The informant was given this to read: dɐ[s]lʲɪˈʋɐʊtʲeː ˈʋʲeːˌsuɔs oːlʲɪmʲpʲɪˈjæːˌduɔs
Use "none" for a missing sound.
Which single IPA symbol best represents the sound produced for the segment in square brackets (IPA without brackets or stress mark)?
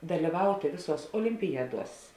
none